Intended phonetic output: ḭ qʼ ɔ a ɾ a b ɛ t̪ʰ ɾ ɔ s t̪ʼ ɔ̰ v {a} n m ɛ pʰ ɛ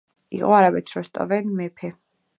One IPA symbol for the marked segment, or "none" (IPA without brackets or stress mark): ɛ